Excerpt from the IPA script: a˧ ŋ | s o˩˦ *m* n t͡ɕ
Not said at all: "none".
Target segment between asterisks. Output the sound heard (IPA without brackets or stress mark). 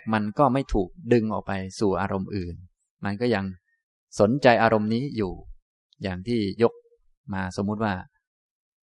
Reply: none